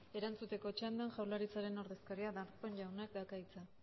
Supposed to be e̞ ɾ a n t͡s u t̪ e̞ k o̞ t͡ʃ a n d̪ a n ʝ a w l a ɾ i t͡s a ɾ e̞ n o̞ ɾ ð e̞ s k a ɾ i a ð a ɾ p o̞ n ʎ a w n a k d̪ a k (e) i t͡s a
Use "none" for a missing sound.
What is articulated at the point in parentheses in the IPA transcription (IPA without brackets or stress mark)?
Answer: a